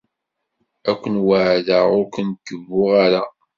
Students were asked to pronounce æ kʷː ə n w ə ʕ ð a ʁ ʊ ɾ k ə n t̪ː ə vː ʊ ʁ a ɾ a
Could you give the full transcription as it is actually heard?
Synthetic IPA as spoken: æ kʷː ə n w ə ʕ ð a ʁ ʊ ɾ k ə n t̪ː ə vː ʊ ʁ a ɾ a